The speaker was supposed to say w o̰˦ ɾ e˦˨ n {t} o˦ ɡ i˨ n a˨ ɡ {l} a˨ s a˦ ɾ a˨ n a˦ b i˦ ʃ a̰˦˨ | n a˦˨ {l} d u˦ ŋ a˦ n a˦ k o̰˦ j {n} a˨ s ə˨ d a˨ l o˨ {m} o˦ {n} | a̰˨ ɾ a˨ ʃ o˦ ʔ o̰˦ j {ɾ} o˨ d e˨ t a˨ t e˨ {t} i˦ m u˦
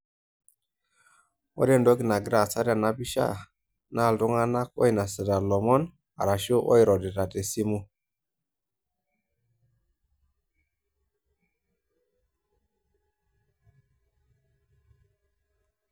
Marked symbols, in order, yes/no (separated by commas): no, no, yes, yes, yes, yes, yes, no